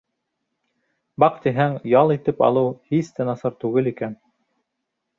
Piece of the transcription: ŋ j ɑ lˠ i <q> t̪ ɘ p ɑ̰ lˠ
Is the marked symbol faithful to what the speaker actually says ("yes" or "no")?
no